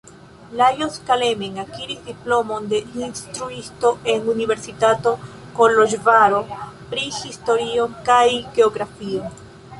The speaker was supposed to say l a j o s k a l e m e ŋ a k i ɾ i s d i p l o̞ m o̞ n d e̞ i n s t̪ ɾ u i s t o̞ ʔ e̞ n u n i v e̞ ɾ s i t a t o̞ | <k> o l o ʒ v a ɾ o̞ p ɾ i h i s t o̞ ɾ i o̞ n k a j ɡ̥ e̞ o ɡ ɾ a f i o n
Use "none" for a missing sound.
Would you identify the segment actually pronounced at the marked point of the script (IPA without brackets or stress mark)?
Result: k